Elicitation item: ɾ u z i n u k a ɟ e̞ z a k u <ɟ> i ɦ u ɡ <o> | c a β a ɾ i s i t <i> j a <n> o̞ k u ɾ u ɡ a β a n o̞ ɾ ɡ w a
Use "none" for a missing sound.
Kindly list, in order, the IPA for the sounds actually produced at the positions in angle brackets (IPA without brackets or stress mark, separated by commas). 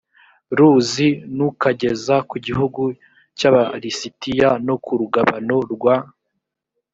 ɟ, u, i, n